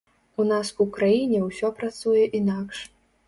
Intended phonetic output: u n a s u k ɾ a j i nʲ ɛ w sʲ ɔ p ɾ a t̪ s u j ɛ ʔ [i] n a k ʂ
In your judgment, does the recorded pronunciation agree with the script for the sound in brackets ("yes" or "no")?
yes